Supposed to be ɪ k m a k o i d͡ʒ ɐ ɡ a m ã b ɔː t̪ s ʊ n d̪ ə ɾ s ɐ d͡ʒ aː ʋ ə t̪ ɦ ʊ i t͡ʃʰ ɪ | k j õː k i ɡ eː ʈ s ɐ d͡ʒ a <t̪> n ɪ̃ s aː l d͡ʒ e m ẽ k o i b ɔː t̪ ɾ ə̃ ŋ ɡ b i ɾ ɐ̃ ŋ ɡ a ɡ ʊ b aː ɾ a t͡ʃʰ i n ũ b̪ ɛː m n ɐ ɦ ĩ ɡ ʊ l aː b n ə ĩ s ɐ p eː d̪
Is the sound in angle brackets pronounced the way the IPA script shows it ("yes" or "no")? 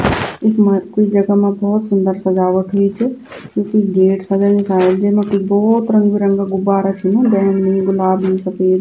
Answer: no